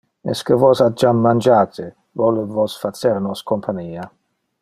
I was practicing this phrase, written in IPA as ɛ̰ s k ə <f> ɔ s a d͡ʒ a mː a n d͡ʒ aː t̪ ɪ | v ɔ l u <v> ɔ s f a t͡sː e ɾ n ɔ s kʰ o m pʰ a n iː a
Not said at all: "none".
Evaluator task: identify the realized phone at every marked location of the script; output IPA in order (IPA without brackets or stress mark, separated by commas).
v, v